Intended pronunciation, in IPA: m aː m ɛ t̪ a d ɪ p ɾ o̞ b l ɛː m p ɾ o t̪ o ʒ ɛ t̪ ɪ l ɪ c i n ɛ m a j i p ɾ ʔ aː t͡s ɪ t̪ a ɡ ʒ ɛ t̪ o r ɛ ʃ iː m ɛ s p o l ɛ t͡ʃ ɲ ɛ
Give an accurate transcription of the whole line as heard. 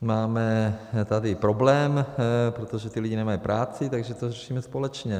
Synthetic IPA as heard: m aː m ɛ t̪ a d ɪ p ɾ o̞ b l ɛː m p ɾ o t̪ o ʒ ɛ t̪ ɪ l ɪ ɟ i n ɛ m a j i p ɾ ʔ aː t͡s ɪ t̪ a ɡ ʒ ɛ t̪ o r ɛ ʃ iː m ɛ s p o l ɛ t͡ʃ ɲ ɛ